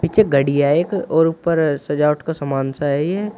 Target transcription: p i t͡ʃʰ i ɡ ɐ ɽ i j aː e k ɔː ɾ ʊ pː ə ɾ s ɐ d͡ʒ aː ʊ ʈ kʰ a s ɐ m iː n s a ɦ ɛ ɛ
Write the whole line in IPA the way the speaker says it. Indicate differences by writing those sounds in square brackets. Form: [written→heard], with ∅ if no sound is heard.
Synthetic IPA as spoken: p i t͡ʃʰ [i→e] ɡ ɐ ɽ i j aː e k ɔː ɾ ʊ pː ə ɾ s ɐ d͡ʒ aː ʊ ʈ [kʰ→k] a s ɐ m [iː→aː] n s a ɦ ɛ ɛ